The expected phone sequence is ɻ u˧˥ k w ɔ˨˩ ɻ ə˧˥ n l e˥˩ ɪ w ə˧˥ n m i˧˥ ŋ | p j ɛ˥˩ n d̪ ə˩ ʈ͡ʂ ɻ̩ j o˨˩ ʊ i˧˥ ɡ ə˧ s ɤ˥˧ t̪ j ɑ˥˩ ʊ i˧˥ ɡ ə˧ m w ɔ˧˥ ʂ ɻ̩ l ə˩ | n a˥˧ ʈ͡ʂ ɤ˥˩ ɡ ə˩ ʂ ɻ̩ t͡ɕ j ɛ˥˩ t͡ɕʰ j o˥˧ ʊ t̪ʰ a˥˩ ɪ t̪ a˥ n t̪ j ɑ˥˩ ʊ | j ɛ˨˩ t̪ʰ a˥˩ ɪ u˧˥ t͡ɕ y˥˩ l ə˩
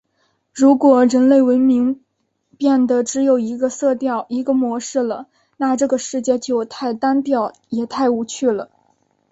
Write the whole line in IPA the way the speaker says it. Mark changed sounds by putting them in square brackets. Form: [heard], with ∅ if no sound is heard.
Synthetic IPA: ɻ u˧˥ k w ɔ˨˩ ɻ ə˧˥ n l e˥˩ ɪ w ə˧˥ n m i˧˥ ŋ | p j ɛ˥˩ n d̪ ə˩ ʈ͡ʂ ɻ̩ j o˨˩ ʊ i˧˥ ɡ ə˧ s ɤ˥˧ t̪ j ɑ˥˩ ʊ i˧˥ ɡ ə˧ m w ɔ˧˥ ʂ ɻ̩ l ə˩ | n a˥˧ ʈ͡ʂ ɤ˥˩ ɡ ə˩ ʂ ɻ̩ t͡ɕ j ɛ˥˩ [t͡ɕ] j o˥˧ ʊ t̪ʰ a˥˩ ɪ t̪ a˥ n t̪ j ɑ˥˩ ʊ | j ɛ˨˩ t̪ʰ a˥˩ ɪ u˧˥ [t͡ɕʰ] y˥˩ l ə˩